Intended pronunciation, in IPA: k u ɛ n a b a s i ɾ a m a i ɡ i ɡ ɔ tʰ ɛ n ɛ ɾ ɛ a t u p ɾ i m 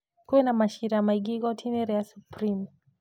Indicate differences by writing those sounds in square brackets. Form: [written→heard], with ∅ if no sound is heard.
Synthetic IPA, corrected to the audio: k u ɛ n a [b→m] a [s→ʃ] i ɾ a m a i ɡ i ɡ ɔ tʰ [ɛ→i] n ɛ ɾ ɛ a [t→s] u p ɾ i m